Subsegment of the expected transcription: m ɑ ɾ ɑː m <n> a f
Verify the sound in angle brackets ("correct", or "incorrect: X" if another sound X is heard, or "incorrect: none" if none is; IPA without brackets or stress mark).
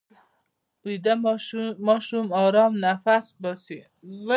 correct